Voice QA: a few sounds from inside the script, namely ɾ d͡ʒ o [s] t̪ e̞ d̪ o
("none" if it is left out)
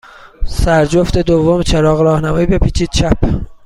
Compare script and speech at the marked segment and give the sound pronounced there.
f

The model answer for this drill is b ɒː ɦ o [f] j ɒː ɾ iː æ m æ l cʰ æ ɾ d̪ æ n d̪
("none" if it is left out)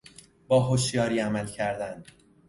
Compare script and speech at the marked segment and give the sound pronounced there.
ʃ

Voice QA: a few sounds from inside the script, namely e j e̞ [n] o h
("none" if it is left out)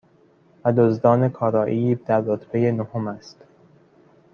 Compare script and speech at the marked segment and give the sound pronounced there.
n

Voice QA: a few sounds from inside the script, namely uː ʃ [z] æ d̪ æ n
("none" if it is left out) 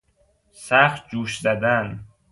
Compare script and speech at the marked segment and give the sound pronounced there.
z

